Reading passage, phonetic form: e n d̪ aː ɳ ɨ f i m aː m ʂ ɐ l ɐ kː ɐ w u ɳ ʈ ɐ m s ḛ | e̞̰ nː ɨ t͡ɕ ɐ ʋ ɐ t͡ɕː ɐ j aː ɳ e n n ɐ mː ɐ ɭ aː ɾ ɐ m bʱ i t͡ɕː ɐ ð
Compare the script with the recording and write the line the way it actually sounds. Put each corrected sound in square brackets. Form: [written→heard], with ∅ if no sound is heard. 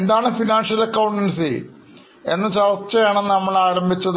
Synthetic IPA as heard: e n d̪ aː ɳ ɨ f i [m→n] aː [m→n] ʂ ɐ l ɐ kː ɐ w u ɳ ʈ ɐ [m→n] s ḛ | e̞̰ nː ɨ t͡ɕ ɐ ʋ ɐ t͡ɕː ɐ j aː ɳ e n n ɐ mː ɐ ɭ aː ɾ ɐ m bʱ i t͡ɕː ɐ ð